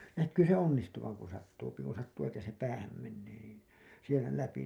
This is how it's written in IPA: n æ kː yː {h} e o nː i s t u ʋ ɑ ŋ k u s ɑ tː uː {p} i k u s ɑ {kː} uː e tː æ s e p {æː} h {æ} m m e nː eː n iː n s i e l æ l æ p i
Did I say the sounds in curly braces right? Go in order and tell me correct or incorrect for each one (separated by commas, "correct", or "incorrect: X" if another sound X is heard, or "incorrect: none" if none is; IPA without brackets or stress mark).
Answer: incorrect: s, correct, incorrect: tː, correct, correct